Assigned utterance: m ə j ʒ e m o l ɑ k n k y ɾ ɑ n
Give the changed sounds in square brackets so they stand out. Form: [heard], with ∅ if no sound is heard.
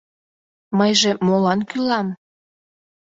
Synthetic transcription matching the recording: m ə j ʒ e m o l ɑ [∅] n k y [l] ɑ [m]